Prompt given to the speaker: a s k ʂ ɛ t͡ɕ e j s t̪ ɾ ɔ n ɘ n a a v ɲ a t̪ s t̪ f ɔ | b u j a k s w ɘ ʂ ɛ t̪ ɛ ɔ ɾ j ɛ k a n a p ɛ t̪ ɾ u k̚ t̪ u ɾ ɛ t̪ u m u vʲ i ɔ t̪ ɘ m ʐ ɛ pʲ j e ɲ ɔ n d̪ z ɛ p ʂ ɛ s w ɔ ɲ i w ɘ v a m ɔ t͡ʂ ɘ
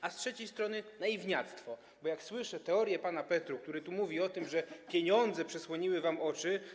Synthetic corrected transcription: a s t ʂ ɛ t͡ɕ e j s t̪ ɾ ɔ n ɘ n a i v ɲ a t̪ s t̪ f ɔ | b ɔ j a k s w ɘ ʂ ɛ t̪ ɛ ɔ ɾ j ɛ p a n a p ɛ t̪ ɾ u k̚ t̪ u ɾ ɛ t̪ u m u vʲ i ɔ t̪ ɘ m ʐ ɛ pʲ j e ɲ ɔ n d̪ z ɛ p ʂ ɛ s w ɔ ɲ i w ɘ v a m ɔ t͡ʂ ɘ